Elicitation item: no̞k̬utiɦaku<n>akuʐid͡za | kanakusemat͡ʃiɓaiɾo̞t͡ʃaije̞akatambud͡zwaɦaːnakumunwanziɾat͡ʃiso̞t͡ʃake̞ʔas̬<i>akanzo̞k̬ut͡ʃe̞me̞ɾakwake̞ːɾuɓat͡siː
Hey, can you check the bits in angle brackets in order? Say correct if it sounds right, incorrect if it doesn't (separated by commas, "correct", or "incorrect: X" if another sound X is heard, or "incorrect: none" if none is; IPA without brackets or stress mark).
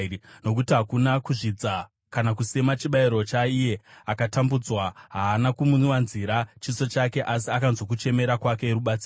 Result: correct, correct